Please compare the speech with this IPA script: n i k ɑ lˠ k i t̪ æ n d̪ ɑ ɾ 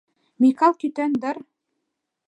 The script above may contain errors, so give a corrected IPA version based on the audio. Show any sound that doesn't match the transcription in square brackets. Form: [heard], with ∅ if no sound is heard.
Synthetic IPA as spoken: [m] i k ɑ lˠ k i t̪ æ n d̪ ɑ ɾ